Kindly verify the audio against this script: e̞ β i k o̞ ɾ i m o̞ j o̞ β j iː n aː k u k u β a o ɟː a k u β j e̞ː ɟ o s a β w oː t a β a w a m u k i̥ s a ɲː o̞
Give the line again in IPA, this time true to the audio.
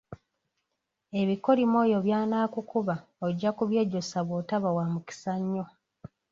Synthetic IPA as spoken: e̞ β i k o̞ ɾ i m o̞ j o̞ β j aː n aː k u k u β a o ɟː a k u β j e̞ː ɟ o s a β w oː t a β a w a m u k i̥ s a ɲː o̞